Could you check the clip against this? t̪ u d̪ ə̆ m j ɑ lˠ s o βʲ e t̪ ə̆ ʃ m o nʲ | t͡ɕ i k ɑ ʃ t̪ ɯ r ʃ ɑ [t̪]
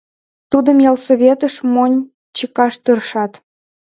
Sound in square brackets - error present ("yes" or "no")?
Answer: no